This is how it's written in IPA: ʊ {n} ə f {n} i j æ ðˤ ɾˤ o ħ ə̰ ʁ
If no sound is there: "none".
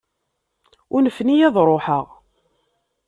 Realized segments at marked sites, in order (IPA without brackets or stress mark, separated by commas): n, n